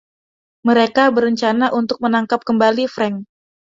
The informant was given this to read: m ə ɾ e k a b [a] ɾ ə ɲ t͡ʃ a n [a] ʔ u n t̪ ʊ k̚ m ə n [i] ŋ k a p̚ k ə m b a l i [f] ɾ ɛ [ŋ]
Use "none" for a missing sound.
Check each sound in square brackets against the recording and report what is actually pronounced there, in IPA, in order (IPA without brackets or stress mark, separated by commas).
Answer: ə, a, a, f, ŋ